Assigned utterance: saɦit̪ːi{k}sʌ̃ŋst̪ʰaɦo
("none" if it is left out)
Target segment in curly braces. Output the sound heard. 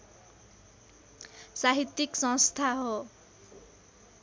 k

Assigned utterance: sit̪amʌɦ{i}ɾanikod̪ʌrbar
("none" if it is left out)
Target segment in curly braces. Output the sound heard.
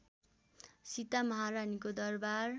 a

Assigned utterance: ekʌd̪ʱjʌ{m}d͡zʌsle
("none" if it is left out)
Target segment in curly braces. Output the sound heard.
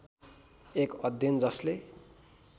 n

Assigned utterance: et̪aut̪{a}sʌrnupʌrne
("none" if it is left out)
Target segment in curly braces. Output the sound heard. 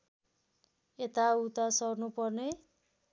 a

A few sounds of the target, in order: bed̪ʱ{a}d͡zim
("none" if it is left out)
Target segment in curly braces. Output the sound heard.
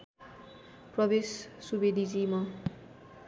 i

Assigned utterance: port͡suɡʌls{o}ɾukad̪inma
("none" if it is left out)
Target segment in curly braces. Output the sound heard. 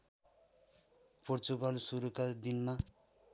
u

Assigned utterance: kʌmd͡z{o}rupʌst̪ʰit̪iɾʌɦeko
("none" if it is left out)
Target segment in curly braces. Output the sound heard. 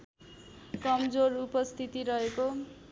o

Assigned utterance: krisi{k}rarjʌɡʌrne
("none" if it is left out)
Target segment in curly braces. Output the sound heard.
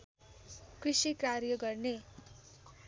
k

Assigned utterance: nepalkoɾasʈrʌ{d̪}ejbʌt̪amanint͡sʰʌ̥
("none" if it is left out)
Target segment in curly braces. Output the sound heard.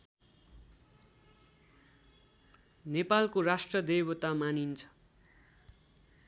d̪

